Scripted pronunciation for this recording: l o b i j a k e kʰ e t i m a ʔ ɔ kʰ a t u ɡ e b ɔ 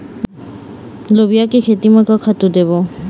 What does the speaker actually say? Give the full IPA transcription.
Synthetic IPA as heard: l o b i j a k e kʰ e t i m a k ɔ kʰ a t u d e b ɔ